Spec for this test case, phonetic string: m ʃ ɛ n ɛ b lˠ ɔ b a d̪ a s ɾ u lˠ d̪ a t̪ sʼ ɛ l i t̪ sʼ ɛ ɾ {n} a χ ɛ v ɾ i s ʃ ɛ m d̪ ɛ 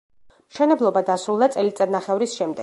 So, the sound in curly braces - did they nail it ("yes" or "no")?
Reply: yes